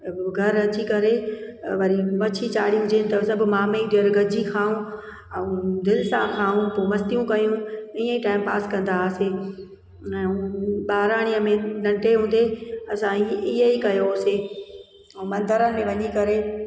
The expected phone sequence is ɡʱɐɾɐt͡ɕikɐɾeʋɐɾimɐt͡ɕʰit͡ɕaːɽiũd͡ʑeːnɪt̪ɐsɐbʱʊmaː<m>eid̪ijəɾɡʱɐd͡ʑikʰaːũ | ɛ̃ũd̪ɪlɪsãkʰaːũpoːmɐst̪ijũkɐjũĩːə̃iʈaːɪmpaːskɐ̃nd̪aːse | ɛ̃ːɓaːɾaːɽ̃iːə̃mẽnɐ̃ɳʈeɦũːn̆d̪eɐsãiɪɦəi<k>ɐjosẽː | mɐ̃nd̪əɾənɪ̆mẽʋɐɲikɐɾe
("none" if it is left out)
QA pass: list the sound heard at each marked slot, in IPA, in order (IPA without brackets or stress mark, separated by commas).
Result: m, k